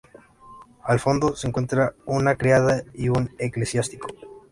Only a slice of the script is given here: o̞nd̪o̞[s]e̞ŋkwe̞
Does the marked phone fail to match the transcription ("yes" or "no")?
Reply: no